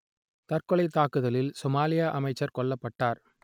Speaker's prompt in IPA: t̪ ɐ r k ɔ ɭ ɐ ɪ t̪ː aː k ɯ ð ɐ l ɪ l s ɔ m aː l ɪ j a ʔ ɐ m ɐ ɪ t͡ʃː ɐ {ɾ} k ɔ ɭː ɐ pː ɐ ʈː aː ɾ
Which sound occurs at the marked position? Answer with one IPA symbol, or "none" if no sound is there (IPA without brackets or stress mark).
ɾ